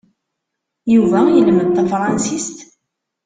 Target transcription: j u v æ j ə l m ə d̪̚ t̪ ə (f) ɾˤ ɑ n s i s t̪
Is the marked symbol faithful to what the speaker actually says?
yes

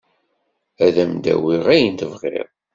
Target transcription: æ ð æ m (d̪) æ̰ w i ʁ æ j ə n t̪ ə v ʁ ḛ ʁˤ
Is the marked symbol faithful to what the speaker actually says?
yes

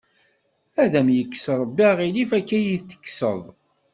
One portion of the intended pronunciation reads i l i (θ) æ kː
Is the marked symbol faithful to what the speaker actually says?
no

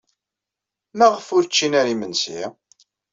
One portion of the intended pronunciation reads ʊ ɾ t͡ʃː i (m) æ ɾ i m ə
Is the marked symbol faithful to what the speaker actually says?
no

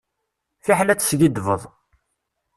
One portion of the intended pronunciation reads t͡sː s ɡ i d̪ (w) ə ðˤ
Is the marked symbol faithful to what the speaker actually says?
no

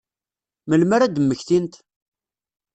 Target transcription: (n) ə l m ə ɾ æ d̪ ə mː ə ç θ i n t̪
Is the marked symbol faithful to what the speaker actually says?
no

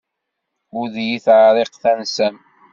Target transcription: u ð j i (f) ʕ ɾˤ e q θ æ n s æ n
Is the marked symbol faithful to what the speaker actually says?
no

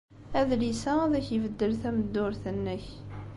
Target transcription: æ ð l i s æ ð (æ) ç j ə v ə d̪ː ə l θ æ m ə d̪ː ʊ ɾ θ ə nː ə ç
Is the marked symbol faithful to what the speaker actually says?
yes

